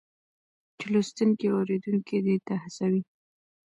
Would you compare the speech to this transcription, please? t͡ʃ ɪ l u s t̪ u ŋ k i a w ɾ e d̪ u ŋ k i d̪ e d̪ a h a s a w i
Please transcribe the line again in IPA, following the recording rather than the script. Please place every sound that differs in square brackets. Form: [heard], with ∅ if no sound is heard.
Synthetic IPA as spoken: t͡ʃ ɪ l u s t̪ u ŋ k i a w ɾ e d̪ u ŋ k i d̪ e [t̪] a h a s a w i